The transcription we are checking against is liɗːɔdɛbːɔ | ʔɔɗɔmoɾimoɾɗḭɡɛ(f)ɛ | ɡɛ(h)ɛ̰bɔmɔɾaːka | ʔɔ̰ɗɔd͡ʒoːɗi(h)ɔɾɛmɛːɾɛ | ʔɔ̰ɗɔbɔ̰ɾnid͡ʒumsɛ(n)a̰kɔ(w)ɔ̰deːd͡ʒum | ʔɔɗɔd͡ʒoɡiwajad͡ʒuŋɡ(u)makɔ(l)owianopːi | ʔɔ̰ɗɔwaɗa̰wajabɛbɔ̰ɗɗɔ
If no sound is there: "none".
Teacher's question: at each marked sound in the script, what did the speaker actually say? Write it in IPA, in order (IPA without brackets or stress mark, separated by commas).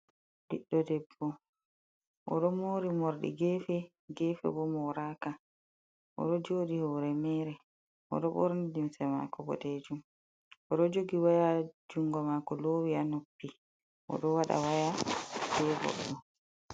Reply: f, f, h, m, b, ɔ, l